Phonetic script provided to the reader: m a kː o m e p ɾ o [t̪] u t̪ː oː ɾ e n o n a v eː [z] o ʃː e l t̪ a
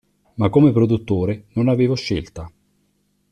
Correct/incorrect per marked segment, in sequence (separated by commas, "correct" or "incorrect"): incorrect, incorrect